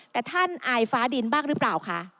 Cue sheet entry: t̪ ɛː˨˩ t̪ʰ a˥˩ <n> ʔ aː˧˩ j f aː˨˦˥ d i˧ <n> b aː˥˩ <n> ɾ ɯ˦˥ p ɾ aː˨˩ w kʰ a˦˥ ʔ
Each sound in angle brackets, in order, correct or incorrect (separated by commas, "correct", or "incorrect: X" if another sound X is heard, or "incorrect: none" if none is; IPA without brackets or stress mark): correct, correct, incorrect: ŋ